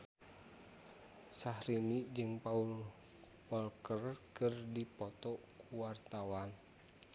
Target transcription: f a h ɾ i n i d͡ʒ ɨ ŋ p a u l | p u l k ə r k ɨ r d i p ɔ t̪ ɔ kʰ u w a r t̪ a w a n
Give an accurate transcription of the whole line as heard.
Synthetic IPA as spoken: s a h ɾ i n i d͡ʒ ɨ ŋ p a u l | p ɔ l k ə r k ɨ r d i p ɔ t̪ ɔ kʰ u w a r t̪ a w a n